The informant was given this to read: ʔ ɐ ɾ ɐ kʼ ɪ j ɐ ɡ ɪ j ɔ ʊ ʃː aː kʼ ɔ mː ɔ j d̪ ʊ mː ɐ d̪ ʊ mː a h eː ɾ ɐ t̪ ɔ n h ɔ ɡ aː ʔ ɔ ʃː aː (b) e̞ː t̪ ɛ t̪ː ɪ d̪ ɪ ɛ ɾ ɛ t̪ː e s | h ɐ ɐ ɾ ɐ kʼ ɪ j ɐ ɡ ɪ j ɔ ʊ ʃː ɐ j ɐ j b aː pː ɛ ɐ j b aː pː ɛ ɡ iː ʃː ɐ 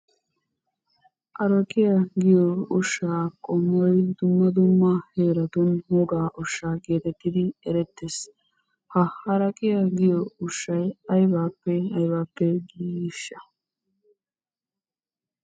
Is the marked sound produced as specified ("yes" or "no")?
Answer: no